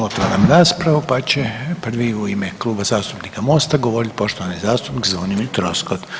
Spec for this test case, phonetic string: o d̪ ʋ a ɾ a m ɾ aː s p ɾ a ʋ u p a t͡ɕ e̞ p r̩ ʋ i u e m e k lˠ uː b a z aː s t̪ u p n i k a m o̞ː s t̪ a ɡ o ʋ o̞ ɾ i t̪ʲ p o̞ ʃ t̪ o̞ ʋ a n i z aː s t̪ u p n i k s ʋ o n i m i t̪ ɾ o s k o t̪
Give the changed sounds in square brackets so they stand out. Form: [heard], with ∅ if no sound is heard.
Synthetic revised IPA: o [t̪] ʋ a ɾ a m ɾ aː s p ɾ a ʋ u p a t͡ɕ e̞ p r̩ ʋ i u [i] m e k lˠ uː b a z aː s t̪ u p n i k a m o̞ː s t̪ a ɡ o ʋ o̞ ɾ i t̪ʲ p o̞ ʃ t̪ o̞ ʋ a n i z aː s t̪ u p n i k [z] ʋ o n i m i t̪ ɾ o s k o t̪